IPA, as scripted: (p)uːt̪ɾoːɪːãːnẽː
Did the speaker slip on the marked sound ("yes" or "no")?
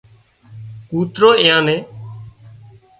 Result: yes